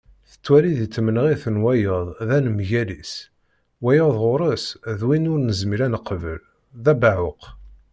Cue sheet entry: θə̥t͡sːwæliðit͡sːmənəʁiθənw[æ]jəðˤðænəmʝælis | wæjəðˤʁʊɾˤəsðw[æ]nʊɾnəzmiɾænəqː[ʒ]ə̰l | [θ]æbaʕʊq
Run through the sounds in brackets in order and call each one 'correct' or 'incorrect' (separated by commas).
correct, incorrect, incorrect, incorrect